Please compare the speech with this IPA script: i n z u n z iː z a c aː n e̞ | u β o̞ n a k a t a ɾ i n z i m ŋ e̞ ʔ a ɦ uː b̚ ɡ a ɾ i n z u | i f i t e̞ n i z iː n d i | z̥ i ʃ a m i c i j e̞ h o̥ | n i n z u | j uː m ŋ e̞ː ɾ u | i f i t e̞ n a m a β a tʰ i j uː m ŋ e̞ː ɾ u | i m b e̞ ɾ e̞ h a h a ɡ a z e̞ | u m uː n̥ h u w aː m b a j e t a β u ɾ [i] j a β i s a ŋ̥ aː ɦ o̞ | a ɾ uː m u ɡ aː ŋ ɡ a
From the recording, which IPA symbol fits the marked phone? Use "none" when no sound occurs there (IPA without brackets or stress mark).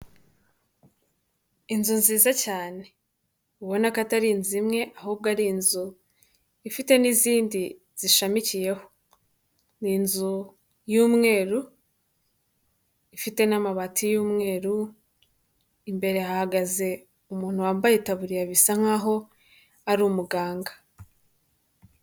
i